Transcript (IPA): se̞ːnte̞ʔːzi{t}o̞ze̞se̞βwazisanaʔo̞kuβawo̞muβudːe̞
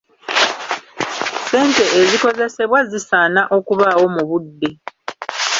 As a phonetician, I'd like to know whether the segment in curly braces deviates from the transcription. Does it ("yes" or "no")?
yes